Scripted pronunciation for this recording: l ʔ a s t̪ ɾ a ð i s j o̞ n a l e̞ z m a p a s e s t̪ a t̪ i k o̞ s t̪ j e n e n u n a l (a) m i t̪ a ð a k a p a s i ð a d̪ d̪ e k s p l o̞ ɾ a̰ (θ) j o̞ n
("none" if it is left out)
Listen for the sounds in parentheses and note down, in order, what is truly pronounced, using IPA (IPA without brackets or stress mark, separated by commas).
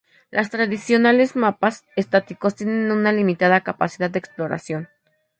i, s